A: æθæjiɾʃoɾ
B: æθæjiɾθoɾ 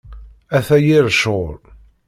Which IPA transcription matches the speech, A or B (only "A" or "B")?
A